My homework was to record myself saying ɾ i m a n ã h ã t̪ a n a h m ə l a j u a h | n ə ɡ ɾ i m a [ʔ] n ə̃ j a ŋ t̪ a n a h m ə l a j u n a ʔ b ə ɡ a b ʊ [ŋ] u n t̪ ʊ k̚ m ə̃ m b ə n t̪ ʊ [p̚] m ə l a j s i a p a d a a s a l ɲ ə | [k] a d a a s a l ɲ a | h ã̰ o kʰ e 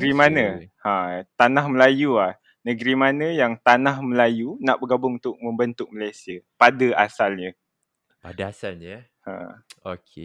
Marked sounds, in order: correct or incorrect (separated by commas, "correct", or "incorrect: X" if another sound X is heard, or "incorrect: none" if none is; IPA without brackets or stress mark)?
incorrect: none, correct, incorrect: k̚, incorrect: p